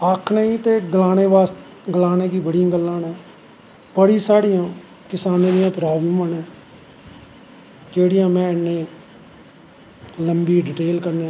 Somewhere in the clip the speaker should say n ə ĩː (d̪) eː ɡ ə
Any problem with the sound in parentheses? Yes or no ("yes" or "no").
yes